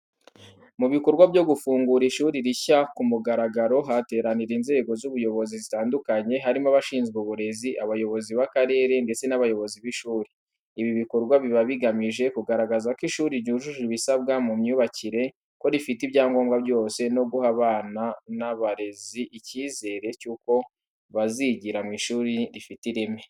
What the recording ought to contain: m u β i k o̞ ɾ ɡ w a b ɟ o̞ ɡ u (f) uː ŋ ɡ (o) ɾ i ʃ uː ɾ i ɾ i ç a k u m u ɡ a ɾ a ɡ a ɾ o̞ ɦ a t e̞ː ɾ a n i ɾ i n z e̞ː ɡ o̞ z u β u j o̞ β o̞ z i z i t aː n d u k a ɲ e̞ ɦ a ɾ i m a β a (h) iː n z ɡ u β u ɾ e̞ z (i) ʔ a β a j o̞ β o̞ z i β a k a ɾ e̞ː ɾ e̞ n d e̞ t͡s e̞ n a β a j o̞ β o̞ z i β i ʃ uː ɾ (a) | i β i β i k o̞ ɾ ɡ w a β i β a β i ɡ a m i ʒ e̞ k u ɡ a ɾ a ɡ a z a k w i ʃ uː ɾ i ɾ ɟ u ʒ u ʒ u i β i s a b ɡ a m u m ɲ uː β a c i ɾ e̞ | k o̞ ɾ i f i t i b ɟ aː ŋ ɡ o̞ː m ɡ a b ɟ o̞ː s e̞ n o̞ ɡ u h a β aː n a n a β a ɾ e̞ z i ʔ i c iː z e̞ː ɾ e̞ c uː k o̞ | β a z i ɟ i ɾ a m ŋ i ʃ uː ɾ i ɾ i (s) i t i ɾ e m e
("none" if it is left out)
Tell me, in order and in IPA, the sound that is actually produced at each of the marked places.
f, u, ʃ, i, i, f

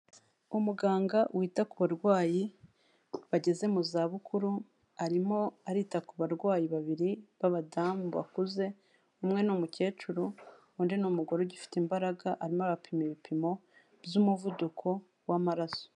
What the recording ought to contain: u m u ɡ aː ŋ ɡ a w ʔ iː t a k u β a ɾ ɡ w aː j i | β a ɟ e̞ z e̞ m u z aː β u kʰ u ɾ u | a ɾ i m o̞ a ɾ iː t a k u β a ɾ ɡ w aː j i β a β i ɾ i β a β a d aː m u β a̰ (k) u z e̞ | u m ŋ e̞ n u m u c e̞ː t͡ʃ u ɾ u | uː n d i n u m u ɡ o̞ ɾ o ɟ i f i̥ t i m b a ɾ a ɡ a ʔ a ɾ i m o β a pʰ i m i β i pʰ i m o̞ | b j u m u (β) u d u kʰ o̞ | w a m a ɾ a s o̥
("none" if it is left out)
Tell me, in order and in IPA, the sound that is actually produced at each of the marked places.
k, v

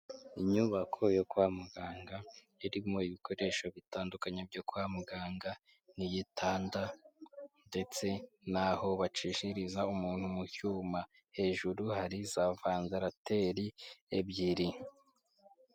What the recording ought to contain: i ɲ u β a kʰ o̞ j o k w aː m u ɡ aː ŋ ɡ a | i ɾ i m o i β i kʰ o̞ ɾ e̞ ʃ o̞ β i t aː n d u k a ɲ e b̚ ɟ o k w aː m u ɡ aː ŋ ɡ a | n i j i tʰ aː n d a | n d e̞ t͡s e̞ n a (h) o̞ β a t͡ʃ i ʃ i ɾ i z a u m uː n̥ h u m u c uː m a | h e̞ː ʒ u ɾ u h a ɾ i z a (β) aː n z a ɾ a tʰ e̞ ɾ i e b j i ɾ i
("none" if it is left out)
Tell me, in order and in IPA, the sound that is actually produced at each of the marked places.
h, v

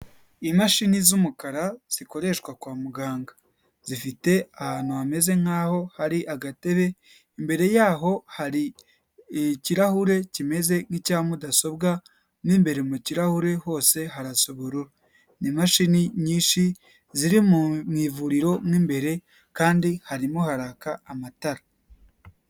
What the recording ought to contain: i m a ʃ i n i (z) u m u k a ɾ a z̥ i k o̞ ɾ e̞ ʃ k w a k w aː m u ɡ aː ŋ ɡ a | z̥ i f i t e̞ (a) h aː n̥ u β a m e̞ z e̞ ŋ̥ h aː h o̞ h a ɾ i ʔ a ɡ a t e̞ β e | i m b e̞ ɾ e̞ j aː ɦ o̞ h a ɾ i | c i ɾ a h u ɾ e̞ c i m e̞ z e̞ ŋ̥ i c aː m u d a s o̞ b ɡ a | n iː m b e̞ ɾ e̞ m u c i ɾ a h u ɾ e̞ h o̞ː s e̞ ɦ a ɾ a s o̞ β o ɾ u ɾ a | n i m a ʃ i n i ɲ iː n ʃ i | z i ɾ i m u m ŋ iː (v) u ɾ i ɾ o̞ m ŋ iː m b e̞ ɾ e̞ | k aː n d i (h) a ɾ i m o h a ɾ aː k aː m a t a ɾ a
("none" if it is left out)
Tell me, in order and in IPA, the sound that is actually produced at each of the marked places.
z, a, v, h

